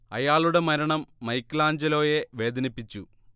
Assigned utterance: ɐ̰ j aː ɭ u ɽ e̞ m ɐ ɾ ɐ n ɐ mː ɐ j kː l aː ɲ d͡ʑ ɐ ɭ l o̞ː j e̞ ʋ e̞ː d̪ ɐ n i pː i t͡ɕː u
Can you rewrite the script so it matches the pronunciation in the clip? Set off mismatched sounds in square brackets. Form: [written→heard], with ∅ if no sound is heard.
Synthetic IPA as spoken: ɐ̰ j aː ɭ u ɽ e̞ m ɐ ɾ ɐ [n→ɳ] ɐ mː ɐ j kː l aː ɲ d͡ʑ ɐ [ɭ→∅] l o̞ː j e̞ ʋ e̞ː d̪ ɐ n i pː i t͡ɕː u